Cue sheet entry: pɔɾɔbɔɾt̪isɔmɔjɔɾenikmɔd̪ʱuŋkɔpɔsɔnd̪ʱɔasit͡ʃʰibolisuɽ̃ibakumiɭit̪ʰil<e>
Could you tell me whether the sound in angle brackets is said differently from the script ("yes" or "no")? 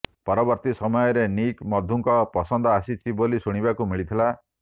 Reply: yes